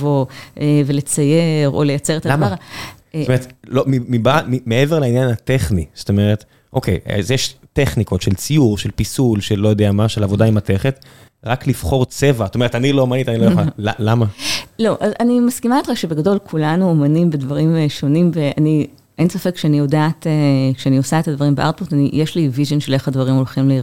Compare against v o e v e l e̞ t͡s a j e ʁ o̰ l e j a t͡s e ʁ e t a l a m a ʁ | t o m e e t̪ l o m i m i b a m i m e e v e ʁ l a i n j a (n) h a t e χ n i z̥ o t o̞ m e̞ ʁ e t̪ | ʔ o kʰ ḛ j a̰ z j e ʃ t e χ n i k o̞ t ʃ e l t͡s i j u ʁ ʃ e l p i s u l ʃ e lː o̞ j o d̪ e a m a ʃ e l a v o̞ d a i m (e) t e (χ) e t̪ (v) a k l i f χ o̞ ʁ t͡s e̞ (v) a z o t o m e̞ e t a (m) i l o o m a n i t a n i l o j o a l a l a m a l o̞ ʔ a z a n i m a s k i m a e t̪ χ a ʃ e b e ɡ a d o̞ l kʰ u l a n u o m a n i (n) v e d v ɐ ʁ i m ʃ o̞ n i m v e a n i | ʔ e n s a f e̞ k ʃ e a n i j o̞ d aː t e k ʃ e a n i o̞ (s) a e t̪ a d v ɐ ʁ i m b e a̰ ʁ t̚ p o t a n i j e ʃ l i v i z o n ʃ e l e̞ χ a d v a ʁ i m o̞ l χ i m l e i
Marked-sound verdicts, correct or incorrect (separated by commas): correct, incorrect, correct, incorrect, correct, incorrect, incorrect, correct